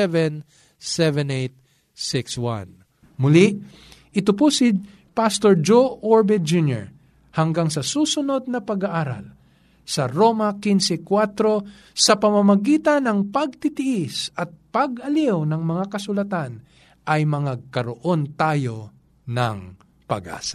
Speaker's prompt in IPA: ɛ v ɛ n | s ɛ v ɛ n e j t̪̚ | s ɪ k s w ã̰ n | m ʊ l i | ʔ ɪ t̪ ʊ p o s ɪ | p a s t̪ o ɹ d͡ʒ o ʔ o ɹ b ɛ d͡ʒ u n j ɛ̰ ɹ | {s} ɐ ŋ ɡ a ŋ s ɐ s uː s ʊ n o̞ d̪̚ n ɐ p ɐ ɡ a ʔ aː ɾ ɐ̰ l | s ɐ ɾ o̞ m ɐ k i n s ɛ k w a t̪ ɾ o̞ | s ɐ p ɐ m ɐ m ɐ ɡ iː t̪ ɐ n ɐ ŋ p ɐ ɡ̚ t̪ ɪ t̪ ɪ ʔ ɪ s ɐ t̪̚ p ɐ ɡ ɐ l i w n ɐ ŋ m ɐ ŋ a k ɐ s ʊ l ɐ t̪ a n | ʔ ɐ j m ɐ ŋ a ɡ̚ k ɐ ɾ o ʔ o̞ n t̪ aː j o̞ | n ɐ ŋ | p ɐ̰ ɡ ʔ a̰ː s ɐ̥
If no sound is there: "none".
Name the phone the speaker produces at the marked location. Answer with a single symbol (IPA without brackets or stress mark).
h